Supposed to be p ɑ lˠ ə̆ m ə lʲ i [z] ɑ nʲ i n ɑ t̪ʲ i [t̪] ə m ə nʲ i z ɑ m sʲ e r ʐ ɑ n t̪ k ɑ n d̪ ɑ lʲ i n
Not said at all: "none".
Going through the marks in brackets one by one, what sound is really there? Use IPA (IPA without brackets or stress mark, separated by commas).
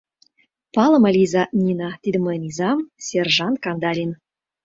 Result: z, d̪